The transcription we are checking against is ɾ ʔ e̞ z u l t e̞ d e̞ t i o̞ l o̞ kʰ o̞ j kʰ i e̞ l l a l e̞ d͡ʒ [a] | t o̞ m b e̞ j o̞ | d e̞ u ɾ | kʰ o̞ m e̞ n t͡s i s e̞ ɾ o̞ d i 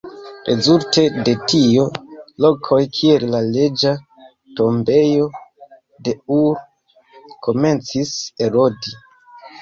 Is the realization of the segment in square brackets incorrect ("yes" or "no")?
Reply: no